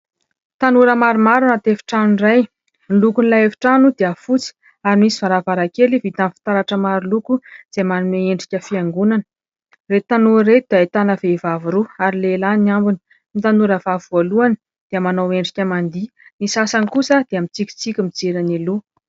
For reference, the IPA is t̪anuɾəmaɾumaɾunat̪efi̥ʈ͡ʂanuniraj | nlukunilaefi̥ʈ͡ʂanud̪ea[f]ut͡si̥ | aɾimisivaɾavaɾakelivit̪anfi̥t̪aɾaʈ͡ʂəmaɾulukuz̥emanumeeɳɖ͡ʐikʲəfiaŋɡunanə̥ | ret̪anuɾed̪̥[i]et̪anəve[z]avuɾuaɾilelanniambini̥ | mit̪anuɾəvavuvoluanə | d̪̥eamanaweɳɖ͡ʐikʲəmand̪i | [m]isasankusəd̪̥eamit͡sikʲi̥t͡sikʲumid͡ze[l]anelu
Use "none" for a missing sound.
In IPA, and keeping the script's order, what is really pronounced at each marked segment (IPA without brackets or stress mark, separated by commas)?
f, a, v, n, ɾ